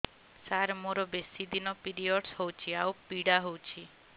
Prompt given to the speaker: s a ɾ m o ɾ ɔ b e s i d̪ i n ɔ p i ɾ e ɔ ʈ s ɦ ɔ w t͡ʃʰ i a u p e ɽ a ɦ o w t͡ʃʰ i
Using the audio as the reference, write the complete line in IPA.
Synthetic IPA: s a ɾ m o ɾ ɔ b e s i d̪ i n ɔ p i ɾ i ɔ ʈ s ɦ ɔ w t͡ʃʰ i a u p i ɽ a ɦ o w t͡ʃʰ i